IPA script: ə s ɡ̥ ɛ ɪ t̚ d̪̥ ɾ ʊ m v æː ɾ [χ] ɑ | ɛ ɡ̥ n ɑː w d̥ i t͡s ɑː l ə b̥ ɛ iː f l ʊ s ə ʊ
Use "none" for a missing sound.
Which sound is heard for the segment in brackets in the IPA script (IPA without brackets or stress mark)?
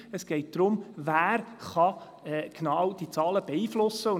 χ